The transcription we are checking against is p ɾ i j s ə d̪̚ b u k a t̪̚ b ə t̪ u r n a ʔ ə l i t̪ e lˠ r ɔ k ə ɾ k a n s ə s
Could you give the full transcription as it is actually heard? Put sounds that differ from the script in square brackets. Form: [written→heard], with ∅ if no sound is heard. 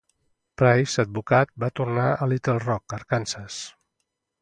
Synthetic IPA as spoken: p ɾ [i→a] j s ə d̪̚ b u k a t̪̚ b [ə→a] t̪ u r n a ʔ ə l i t̪ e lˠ r ɔ k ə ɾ k a n s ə s